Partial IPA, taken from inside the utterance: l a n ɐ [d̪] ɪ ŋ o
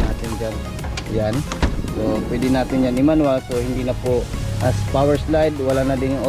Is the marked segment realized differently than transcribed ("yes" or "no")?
no